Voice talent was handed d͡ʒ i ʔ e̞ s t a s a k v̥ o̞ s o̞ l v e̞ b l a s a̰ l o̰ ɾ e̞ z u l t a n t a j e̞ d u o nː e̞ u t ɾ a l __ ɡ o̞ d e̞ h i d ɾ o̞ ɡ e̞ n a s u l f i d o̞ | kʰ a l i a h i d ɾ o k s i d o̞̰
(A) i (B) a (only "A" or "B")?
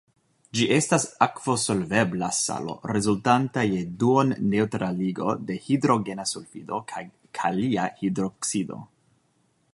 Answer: A